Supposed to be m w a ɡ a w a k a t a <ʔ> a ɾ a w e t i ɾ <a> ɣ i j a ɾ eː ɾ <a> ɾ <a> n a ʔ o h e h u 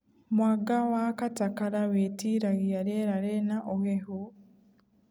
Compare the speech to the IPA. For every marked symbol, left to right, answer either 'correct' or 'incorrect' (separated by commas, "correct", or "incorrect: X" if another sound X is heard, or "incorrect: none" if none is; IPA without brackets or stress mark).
incorrect: k, correct, correct, incorrect: e